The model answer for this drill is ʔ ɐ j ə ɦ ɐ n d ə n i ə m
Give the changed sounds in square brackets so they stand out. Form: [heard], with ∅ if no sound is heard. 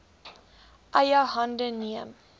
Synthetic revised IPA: ʔ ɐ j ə ɦ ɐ n d ə n i ə m

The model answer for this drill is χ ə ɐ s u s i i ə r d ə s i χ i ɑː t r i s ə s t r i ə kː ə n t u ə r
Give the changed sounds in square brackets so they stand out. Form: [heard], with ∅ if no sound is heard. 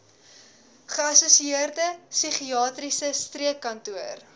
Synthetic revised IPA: χ ə ɐ s u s i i ə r d ə s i χ i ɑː t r i s ə s t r i ə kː [ɐ] n t u ə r

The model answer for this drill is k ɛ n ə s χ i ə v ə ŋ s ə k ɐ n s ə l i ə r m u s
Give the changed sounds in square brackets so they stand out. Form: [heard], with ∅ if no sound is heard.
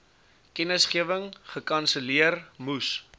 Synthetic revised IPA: k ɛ n ə s χ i ə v ə ŋ [χ] ə k ɐ n s ə l i ə r m u s

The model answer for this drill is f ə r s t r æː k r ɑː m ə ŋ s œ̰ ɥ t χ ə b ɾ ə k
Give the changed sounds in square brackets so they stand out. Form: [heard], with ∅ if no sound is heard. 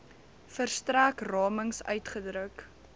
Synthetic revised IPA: f ə r s t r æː k r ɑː m ə ŋ s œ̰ ɥ t χ ə [d] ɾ ə k

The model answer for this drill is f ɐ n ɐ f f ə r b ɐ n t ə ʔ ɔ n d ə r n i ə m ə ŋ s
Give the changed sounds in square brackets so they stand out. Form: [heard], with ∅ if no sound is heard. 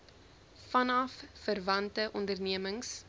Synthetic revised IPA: f ɐ n ɐ f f ə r [v] ɐ n t ə ʔ ɔ n d ə r n i ə m ə ŋ s

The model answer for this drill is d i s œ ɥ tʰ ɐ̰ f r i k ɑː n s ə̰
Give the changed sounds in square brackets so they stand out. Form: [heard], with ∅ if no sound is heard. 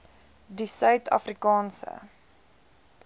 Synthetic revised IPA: d i s œ ɥ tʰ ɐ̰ f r i k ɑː n s ə̰

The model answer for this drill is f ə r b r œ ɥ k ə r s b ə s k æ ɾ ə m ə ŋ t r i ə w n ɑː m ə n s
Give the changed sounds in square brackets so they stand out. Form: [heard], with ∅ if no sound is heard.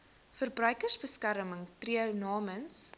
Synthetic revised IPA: f ə r b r œ ɥ k ə r s b ə s k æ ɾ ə m ə ŋ t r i ə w n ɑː m ə n s

